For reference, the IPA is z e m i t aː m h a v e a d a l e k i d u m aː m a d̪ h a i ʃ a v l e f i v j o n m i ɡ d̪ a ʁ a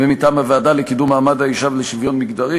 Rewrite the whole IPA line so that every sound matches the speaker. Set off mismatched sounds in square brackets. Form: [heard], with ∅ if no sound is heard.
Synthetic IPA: [v] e m i t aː m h a v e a d a l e k i d u m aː m a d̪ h a i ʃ a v l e [ʃ] i v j o n m i ɡ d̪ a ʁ [i]

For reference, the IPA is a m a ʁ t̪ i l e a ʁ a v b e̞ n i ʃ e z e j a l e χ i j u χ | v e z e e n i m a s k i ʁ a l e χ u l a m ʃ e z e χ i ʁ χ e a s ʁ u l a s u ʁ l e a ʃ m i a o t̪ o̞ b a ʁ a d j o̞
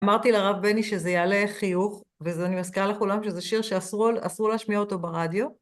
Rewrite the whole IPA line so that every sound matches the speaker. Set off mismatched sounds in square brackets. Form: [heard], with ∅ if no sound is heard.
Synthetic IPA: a m a ʁ t̪ i l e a ʁ a v b e̞ n i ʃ e z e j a l e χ i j u χ | v e z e [a] n i m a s k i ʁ a l e χ u l a m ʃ e z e [ʃ] i ʁ [ʃ] e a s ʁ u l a s u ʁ l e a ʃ m i a o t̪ o̞ b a ʁ a d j o̞

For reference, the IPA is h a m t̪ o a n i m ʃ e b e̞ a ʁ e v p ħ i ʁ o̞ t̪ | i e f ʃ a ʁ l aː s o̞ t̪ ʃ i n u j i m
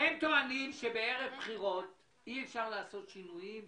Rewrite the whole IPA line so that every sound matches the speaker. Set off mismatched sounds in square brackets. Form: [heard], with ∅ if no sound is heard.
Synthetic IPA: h [e] m t̪ o a n i m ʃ e b e̞ [e] ʁ e v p [χ] i ʁ o̞ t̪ | i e f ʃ a ʁ l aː s o̞ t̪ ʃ i n u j i m

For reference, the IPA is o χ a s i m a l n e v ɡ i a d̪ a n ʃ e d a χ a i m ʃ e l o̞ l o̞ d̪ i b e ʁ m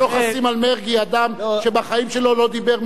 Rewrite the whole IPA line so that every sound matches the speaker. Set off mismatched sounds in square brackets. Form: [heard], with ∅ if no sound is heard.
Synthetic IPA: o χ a s i m a l [m] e [ʁ] ɡ i a d̪ a [m] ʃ e [b] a χ a i m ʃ e l o̞ l o̞ d̪ i b e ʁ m

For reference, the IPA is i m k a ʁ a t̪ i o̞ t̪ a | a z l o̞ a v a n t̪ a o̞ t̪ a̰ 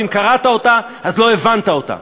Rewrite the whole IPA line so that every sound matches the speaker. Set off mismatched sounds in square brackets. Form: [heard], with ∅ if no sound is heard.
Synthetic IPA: i m k a ʁ a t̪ [a] o̞ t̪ a | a z l o̞ [e] v a n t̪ a o̞ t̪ a̰

